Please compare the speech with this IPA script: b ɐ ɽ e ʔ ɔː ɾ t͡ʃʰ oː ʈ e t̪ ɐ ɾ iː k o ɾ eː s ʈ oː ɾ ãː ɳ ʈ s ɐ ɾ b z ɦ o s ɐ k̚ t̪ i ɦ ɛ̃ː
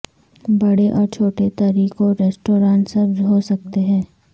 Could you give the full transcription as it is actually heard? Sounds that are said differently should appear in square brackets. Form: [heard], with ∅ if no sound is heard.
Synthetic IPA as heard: b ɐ ɽ e ʔ ɔː ɾ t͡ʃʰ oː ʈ e t̪ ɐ ɾ iː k o ɾ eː s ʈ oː ɾ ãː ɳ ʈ s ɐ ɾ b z ɦ o s ɐ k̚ t̪ [e] ɦ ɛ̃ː